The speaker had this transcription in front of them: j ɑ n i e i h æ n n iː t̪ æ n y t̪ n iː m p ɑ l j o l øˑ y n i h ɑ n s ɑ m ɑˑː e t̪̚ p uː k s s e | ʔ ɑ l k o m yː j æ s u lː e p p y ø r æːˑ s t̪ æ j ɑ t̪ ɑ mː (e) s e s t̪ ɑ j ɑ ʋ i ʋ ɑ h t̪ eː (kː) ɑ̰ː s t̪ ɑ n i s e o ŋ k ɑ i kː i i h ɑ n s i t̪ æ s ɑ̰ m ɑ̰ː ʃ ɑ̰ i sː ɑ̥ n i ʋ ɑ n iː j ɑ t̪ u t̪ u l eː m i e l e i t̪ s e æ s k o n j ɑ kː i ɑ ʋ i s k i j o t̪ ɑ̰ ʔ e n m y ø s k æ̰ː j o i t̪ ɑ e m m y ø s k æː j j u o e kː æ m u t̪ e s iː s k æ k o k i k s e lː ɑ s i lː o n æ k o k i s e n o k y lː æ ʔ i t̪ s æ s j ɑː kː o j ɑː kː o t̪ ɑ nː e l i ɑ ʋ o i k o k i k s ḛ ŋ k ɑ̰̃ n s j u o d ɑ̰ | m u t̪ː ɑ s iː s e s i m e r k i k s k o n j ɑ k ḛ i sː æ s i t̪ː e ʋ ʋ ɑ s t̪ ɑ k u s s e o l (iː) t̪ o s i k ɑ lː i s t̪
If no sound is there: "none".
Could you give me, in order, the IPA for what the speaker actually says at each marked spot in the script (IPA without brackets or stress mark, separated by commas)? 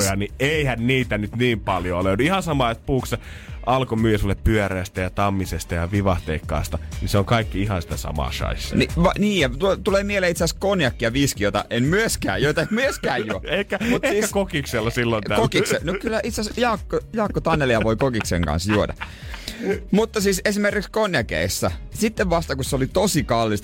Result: i, kː, i